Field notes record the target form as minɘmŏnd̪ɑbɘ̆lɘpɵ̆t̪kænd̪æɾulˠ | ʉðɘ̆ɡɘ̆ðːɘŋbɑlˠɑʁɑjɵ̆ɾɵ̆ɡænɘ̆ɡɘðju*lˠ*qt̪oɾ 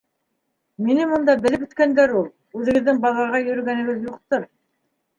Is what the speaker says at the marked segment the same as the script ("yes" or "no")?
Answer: no